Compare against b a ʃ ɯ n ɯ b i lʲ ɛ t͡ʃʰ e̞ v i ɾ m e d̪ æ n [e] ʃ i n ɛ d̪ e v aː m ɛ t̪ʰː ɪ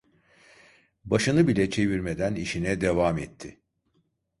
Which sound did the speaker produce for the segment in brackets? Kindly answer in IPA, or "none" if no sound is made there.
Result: i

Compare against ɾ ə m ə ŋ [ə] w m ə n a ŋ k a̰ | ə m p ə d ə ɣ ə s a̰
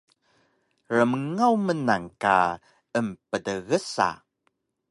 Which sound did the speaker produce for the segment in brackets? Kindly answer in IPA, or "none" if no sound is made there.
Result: a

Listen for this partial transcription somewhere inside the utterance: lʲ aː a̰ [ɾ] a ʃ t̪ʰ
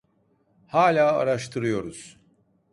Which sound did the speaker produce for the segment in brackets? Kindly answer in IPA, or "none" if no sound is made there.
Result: ɾ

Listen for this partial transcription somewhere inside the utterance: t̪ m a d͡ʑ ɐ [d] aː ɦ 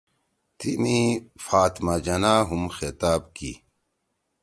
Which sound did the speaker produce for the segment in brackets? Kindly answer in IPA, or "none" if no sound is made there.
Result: n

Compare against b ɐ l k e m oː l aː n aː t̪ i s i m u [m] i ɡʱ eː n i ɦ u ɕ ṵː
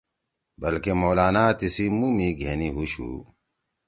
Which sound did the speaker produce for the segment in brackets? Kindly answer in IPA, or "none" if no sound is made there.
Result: m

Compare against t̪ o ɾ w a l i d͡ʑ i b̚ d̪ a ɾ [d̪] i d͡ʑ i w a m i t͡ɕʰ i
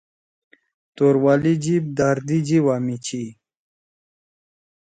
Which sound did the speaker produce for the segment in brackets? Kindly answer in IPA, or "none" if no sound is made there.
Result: d̪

